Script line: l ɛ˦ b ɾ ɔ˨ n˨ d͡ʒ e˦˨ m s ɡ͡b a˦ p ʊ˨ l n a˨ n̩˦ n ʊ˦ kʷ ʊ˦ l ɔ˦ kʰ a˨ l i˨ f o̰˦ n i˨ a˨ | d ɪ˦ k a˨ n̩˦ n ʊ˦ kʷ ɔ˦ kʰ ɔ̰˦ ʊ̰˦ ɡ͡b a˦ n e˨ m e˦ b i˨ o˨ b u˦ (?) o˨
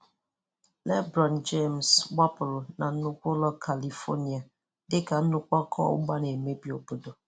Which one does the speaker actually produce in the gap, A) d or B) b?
A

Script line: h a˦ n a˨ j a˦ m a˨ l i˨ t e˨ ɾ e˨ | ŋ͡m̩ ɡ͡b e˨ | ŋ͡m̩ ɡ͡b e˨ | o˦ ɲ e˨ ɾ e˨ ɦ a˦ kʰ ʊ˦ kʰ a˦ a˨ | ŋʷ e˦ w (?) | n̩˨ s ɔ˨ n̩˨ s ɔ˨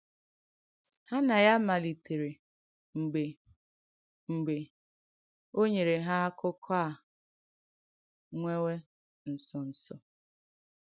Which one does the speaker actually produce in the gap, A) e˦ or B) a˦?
A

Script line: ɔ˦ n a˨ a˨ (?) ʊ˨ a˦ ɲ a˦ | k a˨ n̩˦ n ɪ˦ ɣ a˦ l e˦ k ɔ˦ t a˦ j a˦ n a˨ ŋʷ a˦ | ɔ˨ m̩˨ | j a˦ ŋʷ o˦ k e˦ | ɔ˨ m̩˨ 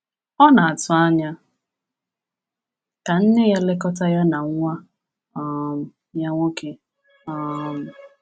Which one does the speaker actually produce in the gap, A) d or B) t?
B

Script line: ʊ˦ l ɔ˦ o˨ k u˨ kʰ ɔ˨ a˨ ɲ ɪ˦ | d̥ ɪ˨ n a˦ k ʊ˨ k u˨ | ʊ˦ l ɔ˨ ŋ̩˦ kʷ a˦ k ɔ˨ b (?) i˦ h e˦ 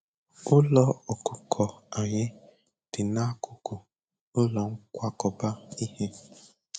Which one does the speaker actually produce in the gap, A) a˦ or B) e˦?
A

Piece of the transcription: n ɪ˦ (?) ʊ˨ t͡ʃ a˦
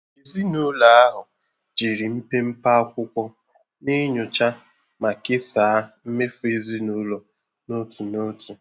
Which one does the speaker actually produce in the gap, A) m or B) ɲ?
B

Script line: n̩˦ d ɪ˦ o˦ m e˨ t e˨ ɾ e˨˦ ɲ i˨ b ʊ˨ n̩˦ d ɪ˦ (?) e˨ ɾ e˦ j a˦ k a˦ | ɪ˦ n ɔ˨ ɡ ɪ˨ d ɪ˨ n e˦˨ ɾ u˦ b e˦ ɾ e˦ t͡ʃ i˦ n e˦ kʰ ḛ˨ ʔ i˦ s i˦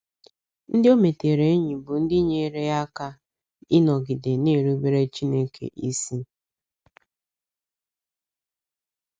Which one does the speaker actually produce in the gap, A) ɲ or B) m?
A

